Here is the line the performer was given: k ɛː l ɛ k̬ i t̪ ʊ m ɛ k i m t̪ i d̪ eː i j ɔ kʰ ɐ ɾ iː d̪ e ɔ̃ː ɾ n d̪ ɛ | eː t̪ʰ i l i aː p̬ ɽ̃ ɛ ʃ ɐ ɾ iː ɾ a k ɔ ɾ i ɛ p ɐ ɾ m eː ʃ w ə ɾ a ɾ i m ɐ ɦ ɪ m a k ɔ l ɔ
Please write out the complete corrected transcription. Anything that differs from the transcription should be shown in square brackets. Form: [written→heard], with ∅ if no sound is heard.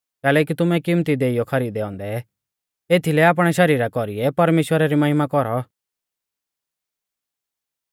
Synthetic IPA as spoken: k ɛː l ɛ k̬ i t̪ ʊ m ɛ k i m t̪ i d̪ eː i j ɔ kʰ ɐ ɾ iː d̪ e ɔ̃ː [ɾ→∅] n d̪ ɛ | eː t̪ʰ i l [i→ɛ] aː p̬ ɽ̃ ɛ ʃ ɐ ɾ iː ɾ a k ɔ ɾ i ɛ p ɐ ɾ m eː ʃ w ə ɾ a ɾ i m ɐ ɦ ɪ m a k ɔ [l→ɾ] ɔ